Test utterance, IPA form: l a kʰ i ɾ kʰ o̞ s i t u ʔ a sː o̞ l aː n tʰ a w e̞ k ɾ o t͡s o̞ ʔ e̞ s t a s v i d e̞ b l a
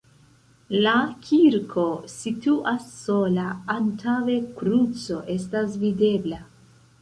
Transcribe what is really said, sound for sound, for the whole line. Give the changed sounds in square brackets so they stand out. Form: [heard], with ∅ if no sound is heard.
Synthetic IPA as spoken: l a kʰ i ɾ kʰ o̞ s i t u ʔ a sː o̞ l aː n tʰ a w e̞ k ɾ [u] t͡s o̞ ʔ e̞ s t a s v i d e̞ b l a